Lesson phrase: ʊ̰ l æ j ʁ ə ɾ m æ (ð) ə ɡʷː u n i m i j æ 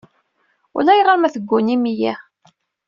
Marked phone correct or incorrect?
incorrect: θ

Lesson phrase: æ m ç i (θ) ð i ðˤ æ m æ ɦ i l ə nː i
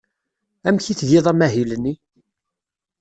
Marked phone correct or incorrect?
correct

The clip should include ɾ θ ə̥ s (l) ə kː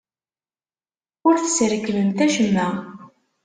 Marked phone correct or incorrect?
incorrect: ɾ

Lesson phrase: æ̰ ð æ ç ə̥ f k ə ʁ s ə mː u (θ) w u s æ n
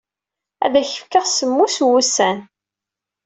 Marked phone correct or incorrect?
incorrect: s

